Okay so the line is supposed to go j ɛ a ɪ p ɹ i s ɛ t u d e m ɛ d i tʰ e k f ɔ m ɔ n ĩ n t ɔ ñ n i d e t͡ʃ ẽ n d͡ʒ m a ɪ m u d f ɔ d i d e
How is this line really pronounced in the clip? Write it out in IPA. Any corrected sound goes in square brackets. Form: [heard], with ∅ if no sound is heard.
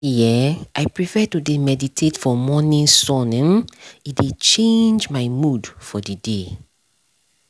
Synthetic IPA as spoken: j ɛ a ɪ p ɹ i [f] ɛ t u d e m ɛ d i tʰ e [t] f ɔ m ɔ n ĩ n [s] ɔ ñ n i d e t͡ʃ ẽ n d͡ʒ m a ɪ m u d f ɔ d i d e